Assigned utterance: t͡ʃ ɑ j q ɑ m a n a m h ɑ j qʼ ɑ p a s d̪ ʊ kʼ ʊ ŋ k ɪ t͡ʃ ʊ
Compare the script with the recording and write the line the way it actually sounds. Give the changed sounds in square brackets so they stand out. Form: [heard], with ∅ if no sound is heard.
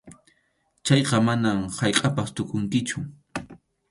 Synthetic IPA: t͡ʃ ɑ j q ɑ m a n a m h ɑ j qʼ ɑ p a s [t̪] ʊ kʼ ʊ ŋ k ɪ t͡ʃ ʊ